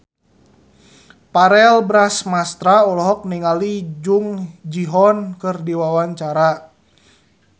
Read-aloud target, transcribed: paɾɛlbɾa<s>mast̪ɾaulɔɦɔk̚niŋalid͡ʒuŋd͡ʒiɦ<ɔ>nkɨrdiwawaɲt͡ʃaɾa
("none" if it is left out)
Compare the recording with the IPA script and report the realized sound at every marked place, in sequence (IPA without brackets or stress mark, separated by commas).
s, ɔ